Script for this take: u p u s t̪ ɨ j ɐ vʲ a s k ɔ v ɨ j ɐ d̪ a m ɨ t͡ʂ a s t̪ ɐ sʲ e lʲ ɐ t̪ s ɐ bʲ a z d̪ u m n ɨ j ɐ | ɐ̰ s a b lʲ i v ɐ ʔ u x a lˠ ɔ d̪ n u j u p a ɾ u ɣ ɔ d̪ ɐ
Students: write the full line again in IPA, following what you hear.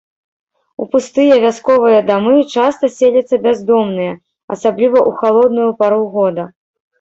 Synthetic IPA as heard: u p u s t̪ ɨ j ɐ vʲ a s k ɔ v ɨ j ɐ d̪ a m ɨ t͡ʂ a s t̪ ɐ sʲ e lʲ ɐ t̪ sː ɐ bʲ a z d̪ ɔ m n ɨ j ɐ | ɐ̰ s a b lʲ i v ɐ ʔ u x a lˠ ɔ d̪ n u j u p a ɾ u ɣ ɔ d̪ ɐ